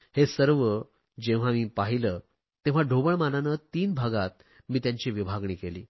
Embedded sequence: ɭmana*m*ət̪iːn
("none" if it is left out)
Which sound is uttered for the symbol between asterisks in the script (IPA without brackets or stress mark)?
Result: n